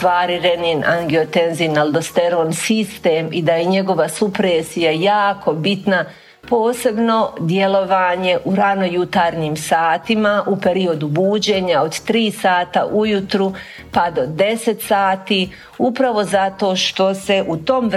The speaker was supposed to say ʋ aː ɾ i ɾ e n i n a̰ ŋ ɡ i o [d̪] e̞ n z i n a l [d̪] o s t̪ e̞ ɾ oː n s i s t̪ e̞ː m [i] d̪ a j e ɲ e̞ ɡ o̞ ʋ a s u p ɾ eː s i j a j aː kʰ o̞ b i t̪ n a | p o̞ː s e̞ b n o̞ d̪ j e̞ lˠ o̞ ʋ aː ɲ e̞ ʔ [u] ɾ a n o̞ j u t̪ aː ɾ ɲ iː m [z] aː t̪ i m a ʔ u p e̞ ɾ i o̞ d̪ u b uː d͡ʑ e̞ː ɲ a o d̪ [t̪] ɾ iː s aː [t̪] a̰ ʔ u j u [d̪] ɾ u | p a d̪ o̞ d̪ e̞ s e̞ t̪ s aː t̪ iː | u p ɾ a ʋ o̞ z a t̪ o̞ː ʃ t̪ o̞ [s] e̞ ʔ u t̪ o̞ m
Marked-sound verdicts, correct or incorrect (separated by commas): incorrect, correct, correct, correct, incorrect, correct, correct, incorrect, correct